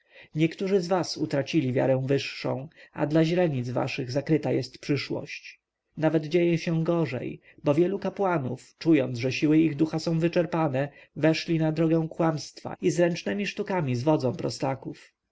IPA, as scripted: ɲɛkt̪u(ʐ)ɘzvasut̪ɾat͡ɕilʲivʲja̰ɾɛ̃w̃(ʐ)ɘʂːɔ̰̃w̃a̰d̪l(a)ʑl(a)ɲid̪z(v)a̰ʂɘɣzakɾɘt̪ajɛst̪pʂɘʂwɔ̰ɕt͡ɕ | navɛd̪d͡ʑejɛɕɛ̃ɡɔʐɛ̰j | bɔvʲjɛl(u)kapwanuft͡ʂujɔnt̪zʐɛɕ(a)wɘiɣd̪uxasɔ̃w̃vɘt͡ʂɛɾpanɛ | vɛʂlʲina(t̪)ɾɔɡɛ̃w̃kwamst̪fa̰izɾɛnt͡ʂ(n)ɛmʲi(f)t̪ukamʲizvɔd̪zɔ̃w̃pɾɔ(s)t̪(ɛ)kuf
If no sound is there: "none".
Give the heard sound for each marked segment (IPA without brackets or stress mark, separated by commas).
ʐ, v, a, ɛ, v, u, i, d̪, n, ʂ, s, a